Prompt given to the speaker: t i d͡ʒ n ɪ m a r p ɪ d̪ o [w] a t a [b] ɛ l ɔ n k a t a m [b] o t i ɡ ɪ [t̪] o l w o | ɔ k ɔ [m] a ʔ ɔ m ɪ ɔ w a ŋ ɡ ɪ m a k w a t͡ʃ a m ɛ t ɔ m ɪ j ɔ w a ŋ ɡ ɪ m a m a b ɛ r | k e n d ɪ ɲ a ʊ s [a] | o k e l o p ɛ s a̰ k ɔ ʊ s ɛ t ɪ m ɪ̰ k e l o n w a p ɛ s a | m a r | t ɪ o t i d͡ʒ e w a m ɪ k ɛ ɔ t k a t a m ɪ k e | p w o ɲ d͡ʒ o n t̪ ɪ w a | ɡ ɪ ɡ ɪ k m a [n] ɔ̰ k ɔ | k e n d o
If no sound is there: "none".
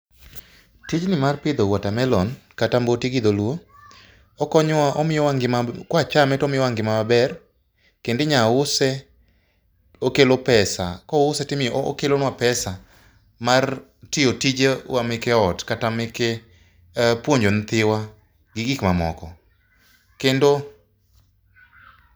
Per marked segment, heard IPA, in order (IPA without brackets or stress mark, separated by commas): w, m, b, d̪, ɲ, ɛ, m